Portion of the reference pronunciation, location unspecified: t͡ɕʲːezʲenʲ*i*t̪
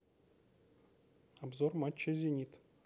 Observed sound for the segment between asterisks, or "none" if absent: i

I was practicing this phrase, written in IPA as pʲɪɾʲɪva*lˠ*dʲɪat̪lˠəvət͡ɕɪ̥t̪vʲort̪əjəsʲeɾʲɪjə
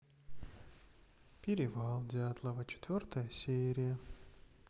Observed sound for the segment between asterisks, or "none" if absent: lˠ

